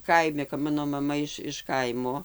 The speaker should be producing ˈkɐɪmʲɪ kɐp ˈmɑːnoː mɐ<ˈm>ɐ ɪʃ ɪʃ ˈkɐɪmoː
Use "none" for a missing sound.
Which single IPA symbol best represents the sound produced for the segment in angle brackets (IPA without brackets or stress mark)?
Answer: m